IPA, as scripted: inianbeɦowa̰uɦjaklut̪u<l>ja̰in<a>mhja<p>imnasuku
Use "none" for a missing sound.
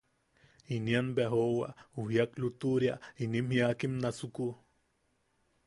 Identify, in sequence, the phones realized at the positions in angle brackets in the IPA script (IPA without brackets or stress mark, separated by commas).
ɾ, i, k